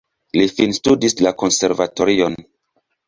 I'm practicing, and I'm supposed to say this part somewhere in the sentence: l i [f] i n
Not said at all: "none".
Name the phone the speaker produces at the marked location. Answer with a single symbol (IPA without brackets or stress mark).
f